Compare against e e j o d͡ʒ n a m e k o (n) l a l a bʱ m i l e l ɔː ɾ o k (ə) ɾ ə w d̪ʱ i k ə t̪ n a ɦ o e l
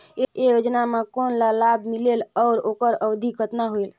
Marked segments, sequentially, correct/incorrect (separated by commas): correct, correct